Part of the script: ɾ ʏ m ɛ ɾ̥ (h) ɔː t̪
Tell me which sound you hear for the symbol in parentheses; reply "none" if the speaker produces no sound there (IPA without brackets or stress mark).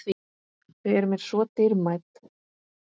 s